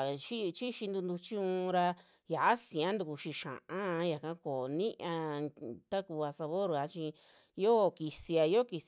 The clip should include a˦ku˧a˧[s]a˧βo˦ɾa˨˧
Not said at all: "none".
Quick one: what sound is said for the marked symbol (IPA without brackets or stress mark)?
s